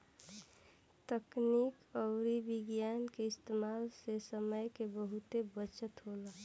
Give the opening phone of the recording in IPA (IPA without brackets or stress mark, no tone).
t̪